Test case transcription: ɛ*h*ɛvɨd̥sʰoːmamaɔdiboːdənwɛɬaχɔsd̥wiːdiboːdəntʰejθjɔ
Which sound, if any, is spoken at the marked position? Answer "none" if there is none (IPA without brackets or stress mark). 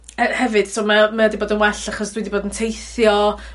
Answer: h